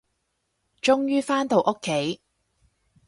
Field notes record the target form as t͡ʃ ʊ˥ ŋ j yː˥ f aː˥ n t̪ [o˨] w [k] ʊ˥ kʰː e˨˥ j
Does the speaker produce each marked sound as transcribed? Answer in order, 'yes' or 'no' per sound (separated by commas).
yes, no